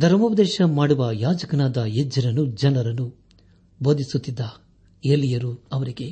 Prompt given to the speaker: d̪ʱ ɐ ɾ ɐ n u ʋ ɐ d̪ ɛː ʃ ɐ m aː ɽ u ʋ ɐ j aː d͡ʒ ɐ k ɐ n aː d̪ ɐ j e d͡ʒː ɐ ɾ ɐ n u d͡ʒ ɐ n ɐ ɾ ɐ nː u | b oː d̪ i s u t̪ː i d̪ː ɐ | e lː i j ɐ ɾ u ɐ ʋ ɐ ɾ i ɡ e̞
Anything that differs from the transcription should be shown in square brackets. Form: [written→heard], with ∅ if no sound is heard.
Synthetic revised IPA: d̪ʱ ɐ ɾ ɐ [n→m] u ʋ ɐ d̪ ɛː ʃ ɐ m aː ɽ u ʋ ɐ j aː d͡ʒ ɐ k ɐ n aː d̪ ɐ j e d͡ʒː ɐ ɾ ɐ n u d͡ʒ ɐ n ɐ ɾ ɐ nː u | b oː d̪ i s u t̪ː i d̪ː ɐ | e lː i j ɐ ɾ u ɐ ʋ ɐ ɾ i ɡ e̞